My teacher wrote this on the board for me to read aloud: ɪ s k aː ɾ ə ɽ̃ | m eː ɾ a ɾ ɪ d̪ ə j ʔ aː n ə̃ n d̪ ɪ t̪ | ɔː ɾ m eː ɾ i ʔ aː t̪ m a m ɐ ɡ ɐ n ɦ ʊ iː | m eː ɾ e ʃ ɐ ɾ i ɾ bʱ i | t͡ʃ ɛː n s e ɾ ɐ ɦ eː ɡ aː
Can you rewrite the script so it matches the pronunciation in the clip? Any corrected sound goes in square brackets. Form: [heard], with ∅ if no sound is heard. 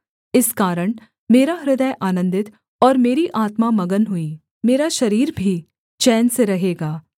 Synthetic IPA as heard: ɪ s k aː ɾ ə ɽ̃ | m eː ɾ a ɾ ɪ d̪ ə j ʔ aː n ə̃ n d̪ ɪ t̪ | ɔː ɾ m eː ɾ i ʔ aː t̪ m a m ɐ ɡ [ə] n ɦ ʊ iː | m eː ɾ [a] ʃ ɐ ɾ [iː] ɾ bʱ i | t͡ʃ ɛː n s e ɾ ɐ ɦ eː ɡ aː